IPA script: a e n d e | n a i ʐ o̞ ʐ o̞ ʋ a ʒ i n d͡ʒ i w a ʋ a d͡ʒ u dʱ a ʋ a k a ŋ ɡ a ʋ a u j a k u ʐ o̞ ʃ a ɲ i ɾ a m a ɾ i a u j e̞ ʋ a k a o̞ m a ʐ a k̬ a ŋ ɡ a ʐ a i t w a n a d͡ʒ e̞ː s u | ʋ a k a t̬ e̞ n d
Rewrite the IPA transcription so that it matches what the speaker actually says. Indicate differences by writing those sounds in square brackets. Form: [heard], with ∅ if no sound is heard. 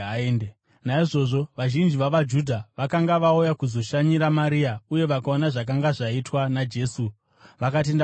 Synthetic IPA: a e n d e | n a i ʐ o̞ ʐ o̞ ʋ a ʒ i n d͡ʒ i [ʋ] a ʋ a d͡ʒ u dʱ a ʋ a k a ŋ ɡ a ʋ a u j a k u [z] o̞ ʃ a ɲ i ɾ a m a ɾ i a u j e̞ ʋ a k a o̞ [n] a ʐ a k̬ a ŋ ɡ a ʐ a i t w a n a d͡ʒ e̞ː s u | ʋ a k a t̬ e̞ n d